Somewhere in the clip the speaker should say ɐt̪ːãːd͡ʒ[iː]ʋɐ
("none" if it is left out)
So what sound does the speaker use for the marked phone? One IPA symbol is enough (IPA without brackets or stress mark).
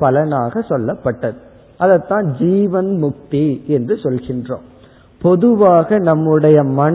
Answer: iː